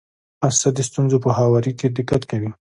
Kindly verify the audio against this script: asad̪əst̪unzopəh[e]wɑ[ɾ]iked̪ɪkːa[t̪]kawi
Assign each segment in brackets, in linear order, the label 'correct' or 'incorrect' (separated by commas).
incorrect, correct, correct